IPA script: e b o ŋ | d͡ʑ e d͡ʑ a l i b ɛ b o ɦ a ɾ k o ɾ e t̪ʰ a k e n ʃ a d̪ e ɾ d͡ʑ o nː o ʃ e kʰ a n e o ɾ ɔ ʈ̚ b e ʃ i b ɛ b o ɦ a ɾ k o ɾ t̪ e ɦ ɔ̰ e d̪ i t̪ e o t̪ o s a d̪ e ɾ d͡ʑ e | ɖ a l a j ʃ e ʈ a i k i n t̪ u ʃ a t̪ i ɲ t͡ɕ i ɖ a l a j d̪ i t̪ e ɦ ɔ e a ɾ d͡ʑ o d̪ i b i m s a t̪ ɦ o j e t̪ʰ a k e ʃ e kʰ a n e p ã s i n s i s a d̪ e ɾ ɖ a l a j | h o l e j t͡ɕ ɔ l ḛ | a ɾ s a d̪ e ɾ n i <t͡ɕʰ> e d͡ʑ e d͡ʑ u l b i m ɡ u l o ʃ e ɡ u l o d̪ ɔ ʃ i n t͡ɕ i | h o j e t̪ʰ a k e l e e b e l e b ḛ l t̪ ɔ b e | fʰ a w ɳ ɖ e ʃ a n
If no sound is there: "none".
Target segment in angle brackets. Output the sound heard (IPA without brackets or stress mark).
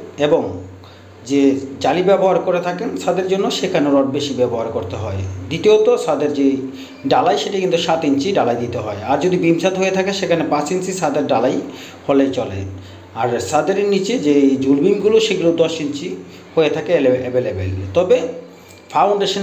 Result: t͡ɕ